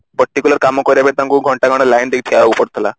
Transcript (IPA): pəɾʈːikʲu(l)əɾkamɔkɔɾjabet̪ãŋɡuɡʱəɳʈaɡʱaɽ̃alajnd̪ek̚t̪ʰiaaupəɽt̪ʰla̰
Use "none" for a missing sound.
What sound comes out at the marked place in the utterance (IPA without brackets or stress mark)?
l